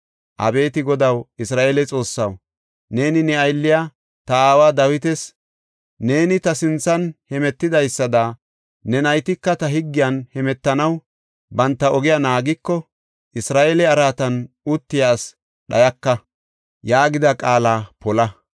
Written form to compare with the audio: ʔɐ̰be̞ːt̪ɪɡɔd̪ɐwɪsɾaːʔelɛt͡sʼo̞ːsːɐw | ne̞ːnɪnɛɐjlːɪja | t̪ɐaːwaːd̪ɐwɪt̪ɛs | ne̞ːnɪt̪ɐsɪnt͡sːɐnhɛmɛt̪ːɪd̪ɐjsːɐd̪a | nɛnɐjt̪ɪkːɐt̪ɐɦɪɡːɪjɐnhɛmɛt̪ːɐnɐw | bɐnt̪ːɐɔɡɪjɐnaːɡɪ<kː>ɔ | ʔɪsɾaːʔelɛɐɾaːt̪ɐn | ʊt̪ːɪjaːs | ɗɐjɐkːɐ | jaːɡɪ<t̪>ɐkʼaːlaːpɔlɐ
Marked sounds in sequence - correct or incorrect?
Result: correct, incorrect: d̪

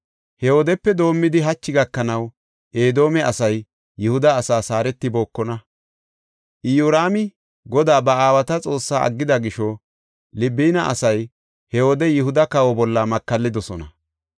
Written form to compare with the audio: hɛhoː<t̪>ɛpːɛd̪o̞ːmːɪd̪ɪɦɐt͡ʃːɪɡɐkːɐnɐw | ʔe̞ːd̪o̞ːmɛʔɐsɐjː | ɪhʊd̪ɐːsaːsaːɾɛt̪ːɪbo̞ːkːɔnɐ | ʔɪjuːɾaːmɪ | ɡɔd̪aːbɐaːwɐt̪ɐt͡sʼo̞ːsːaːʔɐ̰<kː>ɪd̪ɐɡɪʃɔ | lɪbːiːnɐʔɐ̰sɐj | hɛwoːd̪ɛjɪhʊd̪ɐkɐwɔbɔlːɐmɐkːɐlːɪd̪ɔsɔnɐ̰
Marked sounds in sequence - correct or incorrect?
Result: incorrect: d̪, incorrect: ɡː

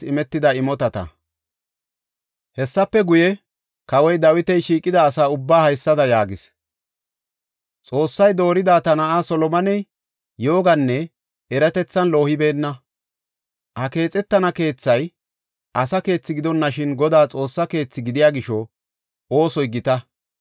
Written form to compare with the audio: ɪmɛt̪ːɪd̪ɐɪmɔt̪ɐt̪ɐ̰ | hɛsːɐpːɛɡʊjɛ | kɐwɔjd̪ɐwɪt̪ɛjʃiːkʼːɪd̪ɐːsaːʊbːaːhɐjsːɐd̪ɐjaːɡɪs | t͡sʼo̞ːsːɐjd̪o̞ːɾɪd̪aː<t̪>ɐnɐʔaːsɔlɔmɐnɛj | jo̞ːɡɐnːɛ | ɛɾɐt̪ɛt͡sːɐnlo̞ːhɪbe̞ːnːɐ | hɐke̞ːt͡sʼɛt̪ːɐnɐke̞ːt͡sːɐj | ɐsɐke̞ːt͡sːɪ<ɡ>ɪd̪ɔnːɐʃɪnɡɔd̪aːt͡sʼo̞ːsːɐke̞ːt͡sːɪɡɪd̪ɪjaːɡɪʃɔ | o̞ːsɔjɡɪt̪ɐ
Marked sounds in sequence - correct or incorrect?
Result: correct, correct

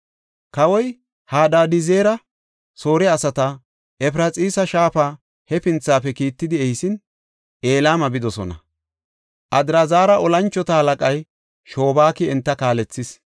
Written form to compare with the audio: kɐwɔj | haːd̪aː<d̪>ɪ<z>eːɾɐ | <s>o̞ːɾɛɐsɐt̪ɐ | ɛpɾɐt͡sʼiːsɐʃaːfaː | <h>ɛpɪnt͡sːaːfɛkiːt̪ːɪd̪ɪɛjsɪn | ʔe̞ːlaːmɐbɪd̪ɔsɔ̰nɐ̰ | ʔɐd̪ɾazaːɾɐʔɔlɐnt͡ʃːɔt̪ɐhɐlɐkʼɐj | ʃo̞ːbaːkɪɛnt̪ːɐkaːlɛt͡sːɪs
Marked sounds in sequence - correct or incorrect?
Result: correct, correct, correct, correct

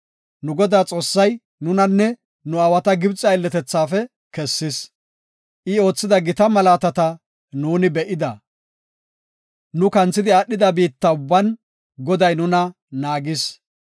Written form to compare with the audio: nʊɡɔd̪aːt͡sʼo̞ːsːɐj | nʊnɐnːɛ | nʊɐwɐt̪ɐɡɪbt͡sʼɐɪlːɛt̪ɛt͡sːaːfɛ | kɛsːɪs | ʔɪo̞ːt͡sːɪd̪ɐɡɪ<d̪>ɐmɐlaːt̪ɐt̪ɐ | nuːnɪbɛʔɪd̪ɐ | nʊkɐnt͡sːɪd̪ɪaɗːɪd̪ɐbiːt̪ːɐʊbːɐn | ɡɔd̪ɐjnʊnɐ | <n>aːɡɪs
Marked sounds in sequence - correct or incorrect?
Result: incorrect: t̪, correct

